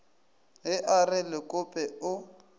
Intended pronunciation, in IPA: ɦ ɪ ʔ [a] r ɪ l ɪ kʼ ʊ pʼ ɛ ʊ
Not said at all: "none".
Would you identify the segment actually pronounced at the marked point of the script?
a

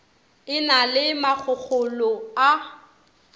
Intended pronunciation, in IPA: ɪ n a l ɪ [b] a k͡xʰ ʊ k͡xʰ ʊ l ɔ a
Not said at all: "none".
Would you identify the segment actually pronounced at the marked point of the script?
m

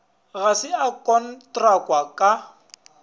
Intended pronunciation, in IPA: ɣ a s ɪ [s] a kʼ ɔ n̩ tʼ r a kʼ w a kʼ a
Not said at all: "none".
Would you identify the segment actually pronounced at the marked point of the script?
none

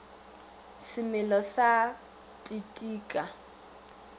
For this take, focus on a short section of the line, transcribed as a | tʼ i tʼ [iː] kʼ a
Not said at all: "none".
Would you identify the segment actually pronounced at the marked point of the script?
iː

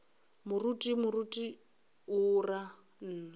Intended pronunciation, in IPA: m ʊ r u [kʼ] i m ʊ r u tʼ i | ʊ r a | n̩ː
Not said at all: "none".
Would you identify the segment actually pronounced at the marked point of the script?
tʼ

